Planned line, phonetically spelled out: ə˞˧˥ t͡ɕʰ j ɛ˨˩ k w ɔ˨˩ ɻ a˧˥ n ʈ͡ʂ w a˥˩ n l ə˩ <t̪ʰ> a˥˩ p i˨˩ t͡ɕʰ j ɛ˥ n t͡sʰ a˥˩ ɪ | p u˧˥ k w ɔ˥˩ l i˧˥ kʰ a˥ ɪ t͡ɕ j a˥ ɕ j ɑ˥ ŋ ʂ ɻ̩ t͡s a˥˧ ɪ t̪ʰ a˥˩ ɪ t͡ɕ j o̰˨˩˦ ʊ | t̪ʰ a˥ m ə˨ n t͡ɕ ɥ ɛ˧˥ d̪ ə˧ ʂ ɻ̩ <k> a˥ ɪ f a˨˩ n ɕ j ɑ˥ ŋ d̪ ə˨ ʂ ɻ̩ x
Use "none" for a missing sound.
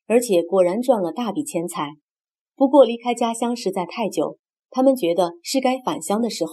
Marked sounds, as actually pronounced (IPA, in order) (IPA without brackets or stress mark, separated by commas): t̪, k